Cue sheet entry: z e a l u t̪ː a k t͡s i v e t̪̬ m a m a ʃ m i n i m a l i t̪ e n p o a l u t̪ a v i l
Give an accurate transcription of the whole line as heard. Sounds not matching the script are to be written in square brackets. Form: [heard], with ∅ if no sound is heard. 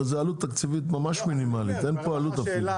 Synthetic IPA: z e a l u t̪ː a k t͡s i v [i] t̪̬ m a m a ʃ m i n i m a l i t̪ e n p o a l u t̪ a [f] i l

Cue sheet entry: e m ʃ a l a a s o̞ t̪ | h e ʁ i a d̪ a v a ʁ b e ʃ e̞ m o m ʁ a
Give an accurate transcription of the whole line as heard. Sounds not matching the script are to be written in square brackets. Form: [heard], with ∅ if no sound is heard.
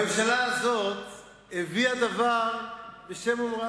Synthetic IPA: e m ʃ a l a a [z] o̞ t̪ | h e [v] i a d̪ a v a ʁ b e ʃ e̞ m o m ʁ a

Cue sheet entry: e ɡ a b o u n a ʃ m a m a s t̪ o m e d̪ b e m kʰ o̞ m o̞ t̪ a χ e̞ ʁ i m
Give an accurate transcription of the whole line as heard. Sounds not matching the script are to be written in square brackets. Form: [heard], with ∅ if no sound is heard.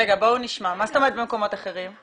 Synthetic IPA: e ɡ a b o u n [i] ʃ m a m a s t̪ o m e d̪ b e m [k] o̞ m o̞ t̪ a χ e̞ ʁ i m

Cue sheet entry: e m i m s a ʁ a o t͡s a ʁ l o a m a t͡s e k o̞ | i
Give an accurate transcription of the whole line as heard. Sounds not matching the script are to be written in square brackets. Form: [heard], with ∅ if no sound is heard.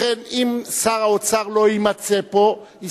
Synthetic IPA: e [n] i m s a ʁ a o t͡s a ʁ l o [i] m a t͡s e [p] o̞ | i

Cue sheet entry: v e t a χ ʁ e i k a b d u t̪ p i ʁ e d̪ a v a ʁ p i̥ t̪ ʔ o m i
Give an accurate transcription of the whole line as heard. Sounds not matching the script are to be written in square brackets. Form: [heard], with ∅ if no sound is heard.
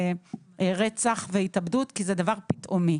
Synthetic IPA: [ʁ] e [t͡s] a χ [v] e i [t] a b d u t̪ [k] i [z] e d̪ a v a ʁ p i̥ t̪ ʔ o m i

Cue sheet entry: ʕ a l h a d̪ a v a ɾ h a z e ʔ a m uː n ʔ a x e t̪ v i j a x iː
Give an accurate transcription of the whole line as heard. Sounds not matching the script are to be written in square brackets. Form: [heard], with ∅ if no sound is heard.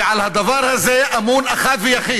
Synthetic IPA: ʕ a l h a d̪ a v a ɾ h a z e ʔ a m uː n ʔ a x [a] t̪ v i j a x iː

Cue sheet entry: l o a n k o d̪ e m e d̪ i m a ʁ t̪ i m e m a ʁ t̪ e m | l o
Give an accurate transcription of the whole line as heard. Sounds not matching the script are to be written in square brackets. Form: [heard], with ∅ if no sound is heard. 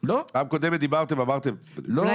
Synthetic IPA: l o a [m] k o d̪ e m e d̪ i [b] a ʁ t̪ [e] m [a] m a ʁ t̪ e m | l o

